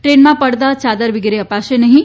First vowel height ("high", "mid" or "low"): mid